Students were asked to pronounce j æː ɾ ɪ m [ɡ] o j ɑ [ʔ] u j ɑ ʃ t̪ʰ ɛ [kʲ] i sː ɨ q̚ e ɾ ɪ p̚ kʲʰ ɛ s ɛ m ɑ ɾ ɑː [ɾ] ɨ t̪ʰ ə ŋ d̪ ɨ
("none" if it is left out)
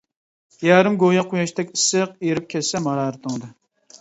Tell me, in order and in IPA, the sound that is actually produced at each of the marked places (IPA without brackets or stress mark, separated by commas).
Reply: ɡ, q, kʲ, ɾ